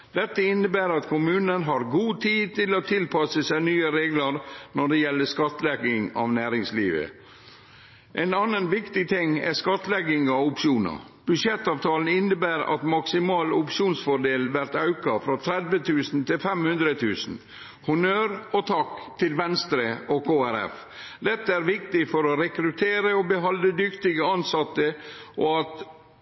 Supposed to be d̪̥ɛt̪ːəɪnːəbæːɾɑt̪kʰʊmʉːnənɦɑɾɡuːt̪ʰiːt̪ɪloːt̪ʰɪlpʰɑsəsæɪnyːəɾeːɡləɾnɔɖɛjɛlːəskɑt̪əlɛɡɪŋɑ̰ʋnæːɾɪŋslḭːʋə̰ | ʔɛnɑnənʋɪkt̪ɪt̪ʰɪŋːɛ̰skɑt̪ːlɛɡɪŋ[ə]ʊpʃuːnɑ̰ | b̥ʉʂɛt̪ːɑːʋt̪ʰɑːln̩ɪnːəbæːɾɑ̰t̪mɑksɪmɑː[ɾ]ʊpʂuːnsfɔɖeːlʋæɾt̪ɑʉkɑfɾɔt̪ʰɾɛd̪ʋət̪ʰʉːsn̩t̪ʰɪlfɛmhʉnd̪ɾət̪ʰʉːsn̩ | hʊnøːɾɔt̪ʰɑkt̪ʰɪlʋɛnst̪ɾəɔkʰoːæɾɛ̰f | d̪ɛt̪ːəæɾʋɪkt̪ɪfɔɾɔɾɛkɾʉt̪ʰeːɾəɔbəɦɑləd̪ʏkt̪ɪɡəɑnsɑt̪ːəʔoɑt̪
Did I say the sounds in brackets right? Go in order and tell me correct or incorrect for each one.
incorrect: ɑ, incorrect: l

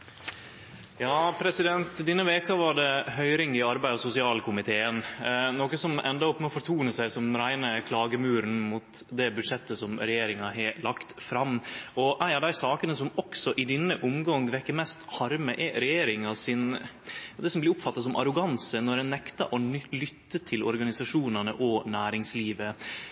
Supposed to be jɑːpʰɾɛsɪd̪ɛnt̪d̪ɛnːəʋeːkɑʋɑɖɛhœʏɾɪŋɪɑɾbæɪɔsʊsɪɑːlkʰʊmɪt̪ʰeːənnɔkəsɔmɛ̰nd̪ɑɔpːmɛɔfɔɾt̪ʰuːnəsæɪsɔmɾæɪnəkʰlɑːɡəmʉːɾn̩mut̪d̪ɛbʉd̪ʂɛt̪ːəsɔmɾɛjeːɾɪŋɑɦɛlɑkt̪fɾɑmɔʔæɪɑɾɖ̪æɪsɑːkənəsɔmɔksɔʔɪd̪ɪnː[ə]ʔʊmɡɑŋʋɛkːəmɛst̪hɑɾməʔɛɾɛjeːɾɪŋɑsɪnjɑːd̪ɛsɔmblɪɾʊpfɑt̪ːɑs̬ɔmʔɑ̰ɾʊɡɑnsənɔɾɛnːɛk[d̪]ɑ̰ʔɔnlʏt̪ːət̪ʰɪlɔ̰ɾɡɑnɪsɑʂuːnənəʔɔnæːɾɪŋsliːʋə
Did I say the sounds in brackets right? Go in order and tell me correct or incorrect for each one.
correct, incorrect: t̪

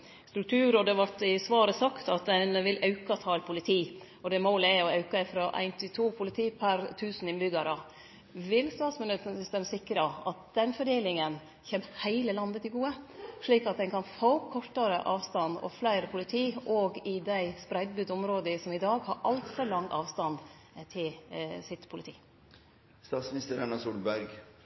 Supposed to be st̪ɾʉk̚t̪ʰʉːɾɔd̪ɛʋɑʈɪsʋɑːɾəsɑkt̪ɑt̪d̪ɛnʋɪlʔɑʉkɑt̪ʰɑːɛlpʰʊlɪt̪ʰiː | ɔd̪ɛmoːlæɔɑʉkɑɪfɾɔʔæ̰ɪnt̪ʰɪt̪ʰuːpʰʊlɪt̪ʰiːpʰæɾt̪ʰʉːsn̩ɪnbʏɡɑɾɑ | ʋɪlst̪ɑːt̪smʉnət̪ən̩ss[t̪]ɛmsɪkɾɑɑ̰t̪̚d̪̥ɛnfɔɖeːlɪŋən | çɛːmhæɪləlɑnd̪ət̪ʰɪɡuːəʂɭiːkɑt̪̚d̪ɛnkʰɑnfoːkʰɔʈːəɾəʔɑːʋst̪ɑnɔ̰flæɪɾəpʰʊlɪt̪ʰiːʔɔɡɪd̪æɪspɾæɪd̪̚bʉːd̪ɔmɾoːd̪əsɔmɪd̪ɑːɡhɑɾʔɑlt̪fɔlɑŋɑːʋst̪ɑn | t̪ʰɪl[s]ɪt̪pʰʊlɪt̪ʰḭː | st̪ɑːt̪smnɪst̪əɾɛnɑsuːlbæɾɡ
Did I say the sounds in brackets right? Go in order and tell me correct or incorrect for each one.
correct, correct

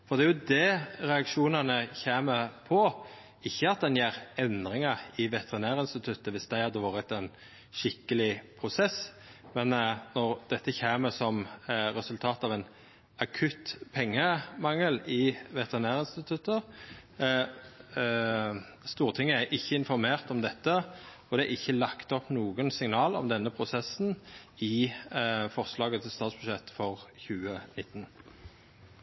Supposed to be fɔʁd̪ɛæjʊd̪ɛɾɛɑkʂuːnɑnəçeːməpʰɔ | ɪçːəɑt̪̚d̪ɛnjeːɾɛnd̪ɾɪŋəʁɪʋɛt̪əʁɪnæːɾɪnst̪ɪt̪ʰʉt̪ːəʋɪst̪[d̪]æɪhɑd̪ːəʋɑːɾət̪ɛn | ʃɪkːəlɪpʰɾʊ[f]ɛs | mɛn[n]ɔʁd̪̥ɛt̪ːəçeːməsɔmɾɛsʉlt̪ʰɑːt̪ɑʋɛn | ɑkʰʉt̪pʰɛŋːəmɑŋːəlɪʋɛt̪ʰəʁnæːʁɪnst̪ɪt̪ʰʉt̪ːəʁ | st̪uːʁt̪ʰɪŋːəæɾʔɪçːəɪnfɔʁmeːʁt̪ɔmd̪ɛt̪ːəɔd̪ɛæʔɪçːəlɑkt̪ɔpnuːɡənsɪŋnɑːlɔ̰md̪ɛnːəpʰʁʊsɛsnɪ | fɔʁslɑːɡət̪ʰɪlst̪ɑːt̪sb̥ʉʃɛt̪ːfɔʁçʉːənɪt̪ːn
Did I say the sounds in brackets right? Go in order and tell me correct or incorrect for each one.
correct, incorrect: s, correct

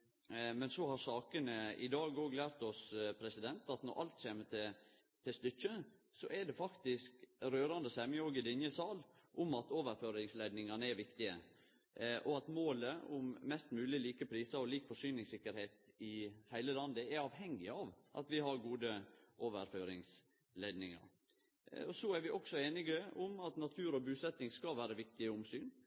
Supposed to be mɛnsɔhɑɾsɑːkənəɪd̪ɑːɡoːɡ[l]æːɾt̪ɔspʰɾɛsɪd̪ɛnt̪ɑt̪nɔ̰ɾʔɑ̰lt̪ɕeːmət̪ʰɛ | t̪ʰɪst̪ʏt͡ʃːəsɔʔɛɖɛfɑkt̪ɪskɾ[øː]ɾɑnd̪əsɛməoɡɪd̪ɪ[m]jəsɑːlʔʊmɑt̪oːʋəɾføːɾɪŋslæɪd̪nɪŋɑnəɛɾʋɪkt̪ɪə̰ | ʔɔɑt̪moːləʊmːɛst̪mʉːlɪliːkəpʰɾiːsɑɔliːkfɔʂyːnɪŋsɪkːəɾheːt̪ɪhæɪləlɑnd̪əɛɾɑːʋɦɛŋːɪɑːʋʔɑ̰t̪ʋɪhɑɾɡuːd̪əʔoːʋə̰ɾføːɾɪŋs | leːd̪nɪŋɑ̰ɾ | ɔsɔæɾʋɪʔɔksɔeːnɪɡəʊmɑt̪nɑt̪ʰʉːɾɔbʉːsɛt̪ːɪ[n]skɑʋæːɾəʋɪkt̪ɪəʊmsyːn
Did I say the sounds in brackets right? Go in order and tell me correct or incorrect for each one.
correct, correct, incorrect: n, incorrect: ŋ

